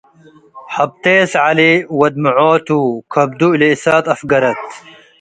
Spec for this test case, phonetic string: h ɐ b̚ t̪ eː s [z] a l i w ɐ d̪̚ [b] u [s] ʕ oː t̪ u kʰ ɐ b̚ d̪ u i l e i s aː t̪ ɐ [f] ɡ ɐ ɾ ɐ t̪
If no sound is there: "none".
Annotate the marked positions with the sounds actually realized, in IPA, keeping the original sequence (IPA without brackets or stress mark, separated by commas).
ʕ, m, none, f